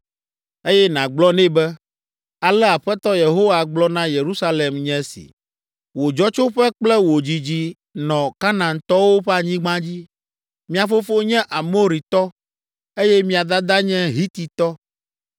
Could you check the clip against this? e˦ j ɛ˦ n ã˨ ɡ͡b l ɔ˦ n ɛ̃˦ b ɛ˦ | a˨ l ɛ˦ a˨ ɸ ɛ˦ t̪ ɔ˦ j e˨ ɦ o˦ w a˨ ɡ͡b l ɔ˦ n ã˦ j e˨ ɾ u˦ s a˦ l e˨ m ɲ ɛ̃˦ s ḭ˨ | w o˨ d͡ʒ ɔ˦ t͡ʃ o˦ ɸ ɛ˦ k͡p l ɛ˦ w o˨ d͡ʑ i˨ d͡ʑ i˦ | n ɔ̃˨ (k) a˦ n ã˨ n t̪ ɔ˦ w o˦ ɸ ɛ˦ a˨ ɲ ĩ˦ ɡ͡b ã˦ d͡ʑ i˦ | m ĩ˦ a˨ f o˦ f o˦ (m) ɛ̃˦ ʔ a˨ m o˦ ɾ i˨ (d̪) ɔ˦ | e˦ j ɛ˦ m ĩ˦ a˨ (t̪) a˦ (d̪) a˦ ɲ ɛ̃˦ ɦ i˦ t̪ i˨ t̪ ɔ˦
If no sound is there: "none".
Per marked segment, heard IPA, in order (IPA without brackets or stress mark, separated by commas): k, ɲ, t̪, d̪, d̪